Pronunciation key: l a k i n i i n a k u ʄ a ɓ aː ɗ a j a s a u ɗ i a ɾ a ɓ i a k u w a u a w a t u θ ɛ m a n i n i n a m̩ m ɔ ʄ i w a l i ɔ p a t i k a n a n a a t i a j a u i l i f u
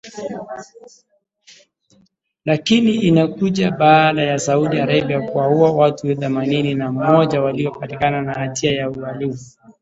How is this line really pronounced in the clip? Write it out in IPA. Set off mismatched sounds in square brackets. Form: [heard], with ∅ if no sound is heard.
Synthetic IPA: l a k i n i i n a k u ʄ a ɓ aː ɗ a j a s a u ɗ i a ɾ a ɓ i a k u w a u a w a t u θ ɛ m a n i n i n a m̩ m ɔ ʄ [a] w a l i ɔ p a t i k a n a n a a t i a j a u [a] l i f u